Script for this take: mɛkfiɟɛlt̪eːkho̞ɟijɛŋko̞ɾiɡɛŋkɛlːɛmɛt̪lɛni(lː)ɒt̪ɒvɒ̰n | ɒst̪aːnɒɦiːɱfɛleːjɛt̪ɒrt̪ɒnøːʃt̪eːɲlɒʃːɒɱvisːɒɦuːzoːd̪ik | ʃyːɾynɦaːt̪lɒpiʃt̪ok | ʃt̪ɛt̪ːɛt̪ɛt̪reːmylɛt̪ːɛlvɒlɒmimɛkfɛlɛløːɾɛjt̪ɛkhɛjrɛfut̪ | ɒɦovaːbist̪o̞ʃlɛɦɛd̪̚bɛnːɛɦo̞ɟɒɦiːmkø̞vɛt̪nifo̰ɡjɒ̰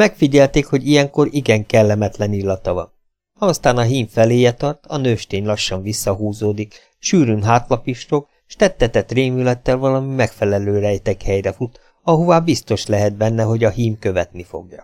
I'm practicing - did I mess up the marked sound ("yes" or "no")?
no